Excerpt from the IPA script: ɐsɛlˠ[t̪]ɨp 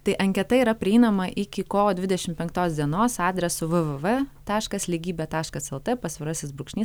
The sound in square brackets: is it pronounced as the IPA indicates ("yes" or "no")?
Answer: yes